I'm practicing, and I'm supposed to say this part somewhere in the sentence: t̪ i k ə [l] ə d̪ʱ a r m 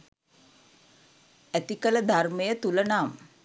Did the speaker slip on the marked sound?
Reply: no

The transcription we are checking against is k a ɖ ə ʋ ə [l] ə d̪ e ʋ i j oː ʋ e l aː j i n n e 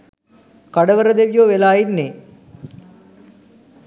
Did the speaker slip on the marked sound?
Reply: yes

